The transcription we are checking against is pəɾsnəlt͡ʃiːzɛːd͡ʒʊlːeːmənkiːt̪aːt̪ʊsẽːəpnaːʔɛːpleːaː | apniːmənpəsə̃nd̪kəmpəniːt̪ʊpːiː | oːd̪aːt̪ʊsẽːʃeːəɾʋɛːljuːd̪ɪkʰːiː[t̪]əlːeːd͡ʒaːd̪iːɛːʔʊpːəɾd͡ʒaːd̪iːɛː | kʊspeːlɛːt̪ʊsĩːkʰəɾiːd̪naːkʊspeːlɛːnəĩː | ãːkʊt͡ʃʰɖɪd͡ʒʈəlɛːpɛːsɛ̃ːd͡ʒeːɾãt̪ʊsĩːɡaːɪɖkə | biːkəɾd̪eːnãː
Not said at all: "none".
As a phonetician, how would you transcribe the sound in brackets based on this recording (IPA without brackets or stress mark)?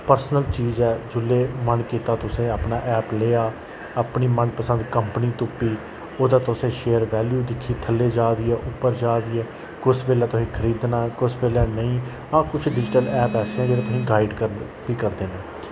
t̪ʰ